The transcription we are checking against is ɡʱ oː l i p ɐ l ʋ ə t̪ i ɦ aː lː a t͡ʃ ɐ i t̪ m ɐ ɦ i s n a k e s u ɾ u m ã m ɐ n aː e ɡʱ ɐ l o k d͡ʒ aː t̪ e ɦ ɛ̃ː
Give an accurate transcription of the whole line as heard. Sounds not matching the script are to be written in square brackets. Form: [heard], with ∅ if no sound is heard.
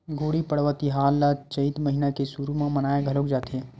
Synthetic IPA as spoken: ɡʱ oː [ɽ] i p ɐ [ɽ] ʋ ə t̪ i ɦ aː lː a t͡ʃ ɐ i t̪ m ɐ ɦ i [∅] n a k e s u ɾ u m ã m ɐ n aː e ɡʱ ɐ l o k d͡ʒ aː t̪ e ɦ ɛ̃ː